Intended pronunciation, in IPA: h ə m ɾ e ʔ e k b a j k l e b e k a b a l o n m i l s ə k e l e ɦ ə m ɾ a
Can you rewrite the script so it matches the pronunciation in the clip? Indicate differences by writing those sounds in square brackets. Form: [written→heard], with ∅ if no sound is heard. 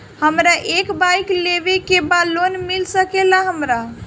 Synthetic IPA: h ə m ɾ [e→a] ʔ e k b a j k l e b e k [a→e] b a l o n m i l s ə k e l [e→a] ɦ ə m ɾ a